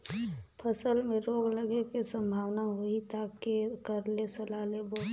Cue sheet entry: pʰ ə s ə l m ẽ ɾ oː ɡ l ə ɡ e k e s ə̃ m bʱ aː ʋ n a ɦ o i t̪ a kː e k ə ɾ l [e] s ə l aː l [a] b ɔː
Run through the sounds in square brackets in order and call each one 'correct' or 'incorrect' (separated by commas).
correct, incorrect